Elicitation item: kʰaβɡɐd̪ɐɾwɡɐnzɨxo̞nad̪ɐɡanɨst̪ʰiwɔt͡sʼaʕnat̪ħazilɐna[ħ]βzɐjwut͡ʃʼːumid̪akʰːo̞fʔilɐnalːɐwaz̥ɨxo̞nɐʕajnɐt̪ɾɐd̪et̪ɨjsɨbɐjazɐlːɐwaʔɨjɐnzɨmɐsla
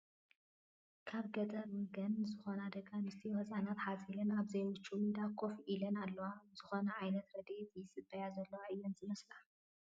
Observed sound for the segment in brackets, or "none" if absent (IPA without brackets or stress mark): none